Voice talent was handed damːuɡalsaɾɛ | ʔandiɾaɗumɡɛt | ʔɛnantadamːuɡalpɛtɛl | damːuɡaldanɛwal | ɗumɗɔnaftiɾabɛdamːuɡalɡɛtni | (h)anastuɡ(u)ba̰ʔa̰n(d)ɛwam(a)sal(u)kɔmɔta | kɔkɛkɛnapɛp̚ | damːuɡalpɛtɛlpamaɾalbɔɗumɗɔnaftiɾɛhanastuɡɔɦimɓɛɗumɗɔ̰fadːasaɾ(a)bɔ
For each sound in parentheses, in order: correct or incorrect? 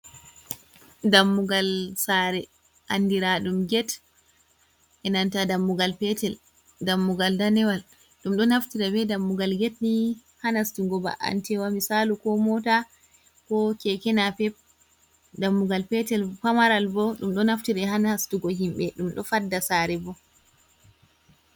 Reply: correct, incorrect, incorrect, incorrect, correct, incorrect

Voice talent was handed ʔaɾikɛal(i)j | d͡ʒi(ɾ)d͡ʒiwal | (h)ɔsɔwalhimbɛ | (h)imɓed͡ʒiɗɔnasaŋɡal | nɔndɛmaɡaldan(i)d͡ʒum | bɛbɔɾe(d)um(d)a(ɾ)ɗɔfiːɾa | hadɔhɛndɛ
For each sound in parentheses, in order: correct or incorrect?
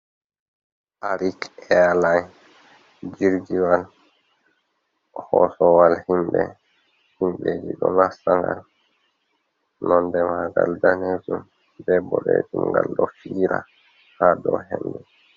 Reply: incorrect, correct, correct, correct, incorrect, incorrect, incorrect, incorrect

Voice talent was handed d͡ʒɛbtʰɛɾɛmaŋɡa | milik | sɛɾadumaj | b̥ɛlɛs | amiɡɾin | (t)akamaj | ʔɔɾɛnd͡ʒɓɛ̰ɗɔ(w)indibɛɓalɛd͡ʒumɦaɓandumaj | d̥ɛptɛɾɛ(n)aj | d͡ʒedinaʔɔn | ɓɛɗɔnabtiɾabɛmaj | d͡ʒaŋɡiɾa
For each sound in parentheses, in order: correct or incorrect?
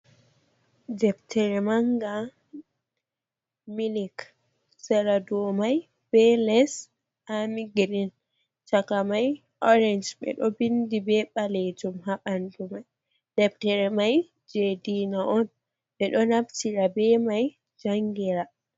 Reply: incorrect, incorrect, incorrect

